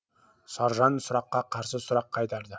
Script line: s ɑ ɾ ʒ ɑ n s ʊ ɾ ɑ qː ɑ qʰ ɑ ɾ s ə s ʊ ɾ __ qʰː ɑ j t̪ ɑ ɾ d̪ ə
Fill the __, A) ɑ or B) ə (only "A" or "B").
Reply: A